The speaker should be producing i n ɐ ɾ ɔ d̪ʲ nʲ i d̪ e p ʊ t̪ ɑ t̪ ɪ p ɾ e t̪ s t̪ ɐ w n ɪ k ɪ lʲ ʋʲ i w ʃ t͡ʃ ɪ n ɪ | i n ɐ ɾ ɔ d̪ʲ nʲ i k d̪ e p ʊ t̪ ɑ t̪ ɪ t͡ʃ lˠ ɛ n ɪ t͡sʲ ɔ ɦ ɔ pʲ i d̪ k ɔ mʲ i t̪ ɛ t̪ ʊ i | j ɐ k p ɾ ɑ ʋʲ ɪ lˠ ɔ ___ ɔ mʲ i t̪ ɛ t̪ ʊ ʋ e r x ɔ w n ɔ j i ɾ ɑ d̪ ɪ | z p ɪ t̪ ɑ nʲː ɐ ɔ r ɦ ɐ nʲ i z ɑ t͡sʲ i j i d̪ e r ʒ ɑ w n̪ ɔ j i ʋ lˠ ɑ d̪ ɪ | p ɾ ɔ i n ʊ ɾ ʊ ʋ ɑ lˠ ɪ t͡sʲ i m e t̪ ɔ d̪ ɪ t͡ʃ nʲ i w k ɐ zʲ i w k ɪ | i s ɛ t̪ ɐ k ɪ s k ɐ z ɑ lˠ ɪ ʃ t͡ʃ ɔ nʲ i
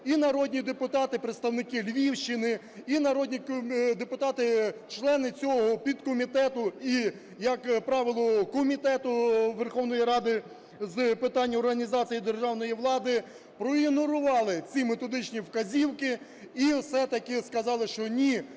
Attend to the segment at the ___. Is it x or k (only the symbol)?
k